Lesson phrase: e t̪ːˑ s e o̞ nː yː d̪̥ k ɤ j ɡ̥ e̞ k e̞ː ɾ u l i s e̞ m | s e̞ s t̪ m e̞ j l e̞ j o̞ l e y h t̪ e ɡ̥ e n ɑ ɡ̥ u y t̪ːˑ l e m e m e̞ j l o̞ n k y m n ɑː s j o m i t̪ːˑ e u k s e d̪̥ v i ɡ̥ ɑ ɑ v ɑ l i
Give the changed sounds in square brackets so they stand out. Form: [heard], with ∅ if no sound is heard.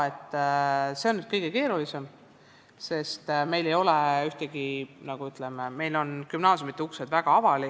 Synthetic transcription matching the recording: e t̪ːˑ s e o̞ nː [y] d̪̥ k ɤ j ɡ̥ e̞ k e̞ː ɾ u l i s e̞ m | s e̞ s t̪ m e̞ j l e̞ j o̞ l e y h t̪ e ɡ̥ [i] n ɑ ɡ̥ u y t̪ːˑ l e m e m e̞ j l o̞ n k y m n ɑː s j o m i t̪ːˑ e u k s e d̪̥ v [æ] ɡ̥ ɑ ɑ v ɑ l i